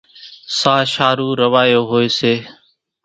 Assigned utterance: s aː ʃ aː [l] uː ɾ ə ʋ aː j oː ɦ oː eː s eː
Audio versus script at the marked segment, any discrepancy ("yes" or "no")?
yes